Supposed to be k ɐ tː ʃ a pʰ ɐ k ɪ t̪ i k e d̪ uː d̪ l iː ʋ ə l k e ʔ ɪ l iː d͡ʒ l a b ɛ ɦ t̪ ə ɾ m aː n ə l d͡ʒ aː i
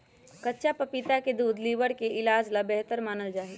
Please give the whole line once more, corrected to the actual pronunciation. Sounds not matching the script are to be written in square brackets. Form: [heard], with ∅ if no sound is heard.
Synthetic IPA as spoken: k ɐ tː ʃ a [p] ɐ [p] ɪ t̪ [a] k e d̪ uː d̪ l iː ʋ ə [ɽ] k e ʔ ɪ l [aː] d͡ʒ l a b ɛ ɦ t̪ ə ɾ m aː n ə l d͡ʒ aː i